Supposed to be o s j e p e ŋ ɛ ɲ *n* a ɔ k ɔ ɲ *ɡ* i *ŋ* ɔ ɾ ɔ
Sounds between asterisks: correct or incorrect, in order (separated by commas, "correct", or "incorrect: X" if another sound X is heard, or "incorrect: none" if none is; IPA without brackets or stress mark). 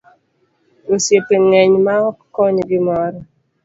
incorrect: m, correct, incorrect: m